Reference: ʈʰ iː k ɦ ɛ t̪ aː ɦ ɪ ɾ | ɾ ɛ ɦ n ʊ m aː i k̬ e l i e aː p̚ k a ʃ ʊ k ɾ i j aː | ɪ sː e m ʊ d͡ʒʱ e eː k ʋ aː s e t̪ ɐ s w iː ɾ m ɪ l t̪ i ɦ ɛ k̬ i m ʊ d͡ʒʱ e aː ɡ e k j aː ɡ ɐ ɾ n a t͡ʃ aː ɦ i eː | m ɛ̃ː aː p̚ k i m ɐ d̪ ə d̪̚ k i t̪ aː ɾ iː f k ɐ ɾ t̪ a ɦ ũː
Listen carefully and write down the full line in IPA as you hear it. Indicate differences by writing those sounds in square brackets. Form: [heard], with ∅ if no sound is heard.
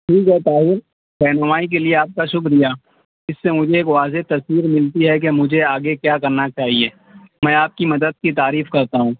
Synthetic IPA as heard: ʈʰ iː k ɦ ɛ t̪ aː ɦ ɪ ɾ | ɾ ɛ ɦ n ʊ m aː i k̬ e l i e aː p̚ k a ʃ ʊ k ɾ i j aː | ɪ sː e m ʊ d͡ʒʱ e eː k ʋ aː [z] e t̪ ɐ s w iː ɾ m ɪ l t̪ i ɦ ɛ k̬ [e] m ʊ d͡ʒʱ e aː ɡ e k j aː [k] ɐ ɾ n a t͡ʃ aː ɦ i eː | m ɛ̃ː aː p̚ k i m ɐ d̪ ə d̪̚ k i t̪ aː ɾ iː f k ɐ ɾ t̪ a ɦ ũː

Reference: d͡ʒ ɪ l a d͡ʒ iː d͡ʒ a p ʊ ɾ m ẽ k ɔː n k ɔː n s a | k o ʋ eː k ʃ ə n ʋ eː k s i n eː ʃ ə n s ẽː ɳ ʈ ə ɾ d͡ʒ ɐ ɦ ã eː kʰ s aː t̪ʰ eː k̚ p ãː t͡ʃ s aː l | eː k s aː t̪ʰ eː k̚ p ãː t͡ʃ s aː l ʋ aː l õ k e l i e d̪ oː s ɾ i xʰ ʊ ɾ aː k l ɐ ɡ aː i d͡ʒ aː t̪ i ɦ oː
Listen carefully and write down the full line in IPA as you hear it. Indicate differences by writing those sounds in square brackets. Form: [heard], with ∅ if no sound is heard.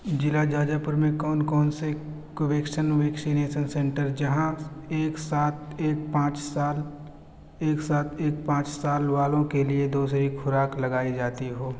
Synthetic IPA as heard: d͡ʒ ɪ l a d͡ʒ [aː] d͡ʒ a p ʊ ɾ m ẽ k ɔː n k ɔː n s [e] | k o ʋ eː k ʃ ə n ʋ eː k s i n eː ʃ ə n s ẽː ɳ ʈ ə ɾ d͡ʒ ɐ ɦ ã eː [k] s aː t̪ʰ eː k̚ p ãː t͡ʃ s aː l | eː k s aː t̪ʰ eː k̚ p ãː t͡ʃ s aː l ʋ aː l õ k e l i e d̪ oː s ɾ i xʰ ʊ ɾ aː k l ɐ ɡ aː i d͡ʒ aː t̪ i ɦ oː

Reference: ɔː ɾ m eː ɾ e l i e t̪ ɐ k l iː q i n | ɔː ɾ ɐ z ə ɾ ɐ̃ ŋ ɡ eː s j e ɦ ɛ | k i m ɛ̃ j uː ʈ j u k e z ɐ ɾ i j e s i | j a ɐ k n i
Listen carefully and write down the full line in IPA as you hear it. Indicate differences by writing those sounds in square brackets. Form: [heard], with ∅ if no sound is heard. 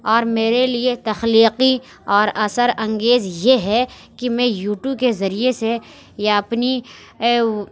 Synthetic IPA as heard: ɔː ɾ m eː ɾ e l i e t̪ ɐ [x] l iː q i [∅] | ɔː ɾ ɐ [s] ə ɾ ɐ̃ ŋ ɡ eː [z] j e ɦ ɛ | k i m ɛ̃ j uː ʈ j u k e z ɐ ɾ i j e s [e] | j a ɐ [p] n i

